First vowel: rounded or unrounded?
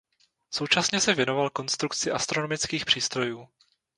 rounded